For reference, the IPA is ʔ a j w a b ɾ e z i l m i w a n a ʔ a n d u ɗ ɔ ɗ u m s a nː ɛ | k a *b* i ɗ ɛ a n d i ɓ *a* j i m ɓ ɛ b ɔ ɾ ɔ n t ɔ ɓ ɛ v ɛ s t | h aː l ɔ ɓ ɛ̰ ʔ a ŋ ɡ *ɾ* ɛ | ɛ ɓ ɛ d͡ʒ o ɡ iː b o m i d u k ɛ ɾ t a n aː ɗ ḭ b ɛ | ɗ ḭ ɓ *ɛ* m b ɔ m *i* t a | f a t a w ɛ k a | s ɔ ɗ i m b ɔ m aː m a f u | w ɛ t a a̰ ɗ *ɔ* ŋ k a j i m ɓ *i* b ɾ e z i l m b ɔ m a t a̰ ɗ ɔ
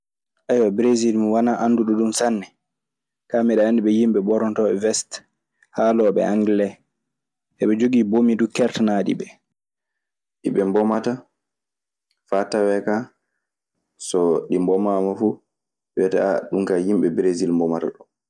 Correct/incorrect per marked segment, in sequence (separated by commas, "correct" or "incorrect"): incorrect, incorrect, incorrect, correct, incorrect, incorrect, incorrect